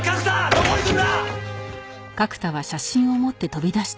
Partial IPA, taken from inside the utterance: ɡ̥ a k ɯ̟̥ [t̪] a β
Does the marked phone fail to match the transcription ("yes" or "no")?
no